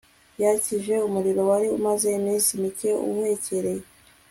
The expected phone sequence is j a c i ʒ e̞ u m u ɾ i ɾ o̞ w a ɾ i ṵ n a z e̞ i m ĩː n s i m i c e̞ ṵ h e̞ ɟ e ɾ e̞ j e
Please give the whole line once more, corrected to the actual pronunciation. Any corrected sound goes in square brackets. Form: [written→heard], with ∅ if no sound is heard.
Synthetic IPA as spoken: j a c i ʒ e̞ u m u ɾ i ɾ o̞ w a ɾ i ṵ [n→m] a z e̞ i m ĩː n s i m i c e̞ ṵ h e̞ [ɟ→c] e ɾ e̞ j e